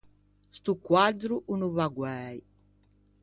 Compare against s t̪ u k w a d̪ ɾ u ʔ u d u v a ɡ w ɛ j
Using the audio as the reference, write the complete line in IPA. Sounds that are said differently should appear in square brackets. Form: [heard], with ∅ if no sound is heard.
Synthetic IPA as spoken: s t̪ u k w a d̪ ɾ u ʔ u [n] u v a ɡ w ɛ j